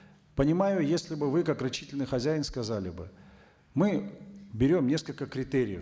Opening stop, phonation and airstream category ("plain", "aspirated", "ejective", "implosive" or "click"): plain